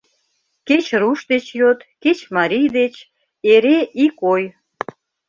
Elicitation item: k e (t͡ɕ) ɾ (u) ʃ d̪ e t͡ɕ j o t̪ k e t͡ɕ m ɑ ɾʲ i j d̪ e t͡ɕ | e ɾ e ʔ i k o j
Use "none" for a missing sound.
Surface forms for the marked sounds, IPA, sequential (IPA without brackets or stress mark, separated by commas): t͡ɕ, u